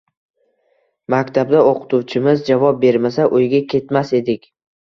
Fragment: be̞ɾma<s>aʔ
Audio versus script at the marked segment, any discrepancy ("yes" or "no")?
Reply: no